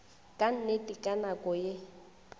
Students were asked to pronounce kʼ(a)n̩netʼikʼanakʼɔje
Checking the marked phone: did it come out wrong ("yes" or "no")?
no